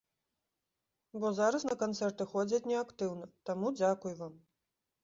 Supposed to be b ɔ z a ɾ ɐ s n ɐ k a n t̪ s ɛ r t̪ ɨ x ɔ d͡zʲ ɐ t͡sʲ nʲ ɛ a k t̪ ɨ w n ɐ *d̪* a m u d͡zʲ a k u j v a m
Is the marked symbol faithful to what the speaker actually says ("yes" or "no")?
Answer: no